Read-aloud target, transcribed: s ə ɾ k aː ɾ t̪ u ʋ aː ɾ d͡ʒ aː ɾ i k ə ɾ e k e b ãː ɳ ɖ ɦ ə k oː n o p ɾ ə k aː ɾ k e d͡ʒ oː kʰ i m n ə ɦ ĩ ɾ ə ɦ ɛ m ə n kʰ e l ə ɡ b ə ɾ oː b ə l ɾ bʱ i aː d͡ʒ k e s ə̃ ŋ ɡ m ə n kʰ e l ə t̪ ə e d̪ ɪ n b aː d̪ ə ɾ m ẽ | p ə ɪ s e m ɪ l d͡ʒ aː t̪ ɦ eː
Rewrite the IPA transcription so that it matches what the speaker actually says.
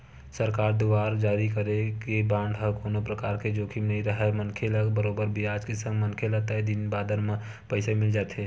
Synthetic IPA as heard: s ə ɾ k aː ɾ d̪ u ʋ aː ɾ d͡ʒ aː ɾ i k ə ɾ e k e b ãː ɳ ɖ ɦ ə k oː n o p ɾ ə k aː ɾ k e d͡ʒ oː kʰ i m n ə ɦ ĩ ɾ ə ɦ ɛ m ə n kʰ e l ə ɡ b ə ɾ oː b ə ɾ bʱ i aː d͡ʒ k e s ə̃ ŋ ɡ m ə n kʰ e l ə t̪ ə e d̪ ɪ n b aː d̪ ə ɾ m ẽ | p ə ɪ s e m ɪ l d͡ʒ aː t̪ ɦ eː